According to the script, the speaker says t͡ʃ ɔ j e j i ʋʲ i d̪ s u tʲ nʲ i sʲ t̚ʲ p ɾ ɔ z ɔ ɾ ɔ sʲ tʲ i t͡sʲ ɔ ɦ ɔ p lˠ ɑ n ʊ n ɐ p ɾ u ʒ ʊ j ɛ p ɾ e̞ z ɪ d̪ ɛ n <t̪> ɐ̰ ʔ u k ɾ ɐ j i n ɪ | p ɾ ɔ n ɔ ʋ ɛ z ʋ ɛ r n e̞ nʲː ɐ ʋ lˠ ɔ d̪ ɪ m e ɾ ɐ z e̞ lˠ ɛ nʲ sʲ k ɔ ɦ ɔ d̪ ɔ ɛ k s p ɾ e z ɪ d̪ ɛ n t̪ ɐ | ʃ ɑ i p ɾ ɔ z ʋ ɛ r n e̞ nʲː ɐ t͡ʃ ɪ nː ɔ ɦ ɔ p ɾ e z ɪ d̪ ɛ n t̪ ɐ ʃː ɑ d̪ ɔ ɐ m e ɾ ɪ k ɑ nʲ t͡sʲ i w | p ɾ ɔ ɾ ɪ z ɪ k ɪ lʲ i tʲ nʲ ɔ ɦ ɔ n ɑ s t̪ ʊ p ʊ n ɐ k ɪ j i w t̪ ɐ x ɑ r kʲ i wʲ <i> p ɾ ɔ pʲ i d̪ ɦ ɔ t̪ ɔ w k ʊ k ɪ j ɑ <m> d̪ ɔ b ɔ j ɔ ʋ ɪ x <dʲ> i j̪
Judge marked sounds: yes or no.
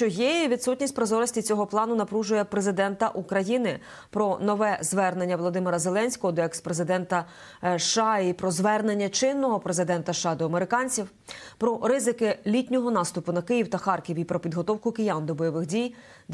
yes, yes, no, yes

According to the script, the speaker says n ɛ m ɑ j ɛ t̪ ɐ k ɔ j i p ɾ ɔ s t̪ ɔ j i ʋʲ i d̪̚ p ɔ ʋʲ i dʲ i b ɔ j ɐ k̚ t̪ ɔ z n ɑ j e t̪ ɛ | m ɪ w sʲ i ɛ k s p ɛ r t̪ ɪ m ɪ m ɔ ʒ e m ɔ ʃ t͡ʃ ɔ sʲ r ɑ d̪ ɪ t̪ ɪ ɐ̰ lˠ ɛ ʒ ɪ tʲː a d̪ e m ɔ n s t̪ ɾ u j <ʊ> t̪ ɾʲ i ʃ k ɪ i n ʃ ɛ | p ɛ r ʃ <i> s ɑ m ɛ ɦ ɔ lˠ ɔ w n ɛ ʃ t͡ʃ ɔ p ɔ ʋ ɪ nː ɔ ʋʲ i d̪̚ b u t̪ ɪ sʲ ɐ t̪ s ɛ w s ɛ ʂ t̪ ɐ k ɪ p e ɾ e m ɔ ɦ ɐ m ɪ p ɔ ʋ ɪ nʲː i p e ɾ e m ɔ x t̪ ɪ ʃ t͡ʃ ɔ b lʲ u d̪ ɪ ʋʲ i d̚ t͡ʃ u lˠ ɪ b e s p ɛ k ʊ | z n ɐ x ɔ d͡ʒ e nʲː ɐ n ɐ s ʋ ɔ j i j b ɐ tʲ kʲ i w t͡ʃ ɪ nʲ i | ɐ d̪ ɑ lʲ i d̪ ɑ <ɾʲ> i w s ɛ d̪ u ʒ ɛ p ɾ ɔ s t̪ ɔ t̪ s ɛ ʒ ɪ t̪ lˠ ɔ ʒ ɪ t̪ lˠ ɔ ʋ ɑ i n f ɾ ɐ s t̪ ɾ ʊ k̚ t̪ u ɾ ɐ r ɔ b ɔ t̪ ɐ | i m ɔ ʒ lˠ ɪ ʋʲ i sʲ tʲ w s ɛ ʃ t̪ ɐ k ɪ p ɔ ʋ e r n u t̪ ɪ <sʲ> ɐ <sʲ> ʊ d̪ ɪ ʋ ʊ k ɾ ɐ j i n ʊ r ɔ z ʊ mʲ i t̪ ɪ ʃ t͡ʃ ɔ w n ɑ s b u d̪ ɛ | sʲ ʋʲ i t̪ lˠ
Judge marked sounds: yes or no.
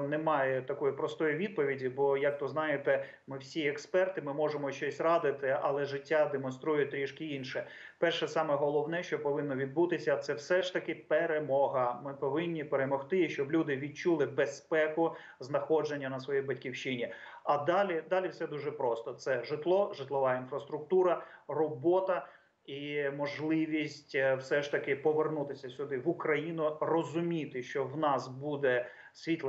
yes, no, no, yes, yes

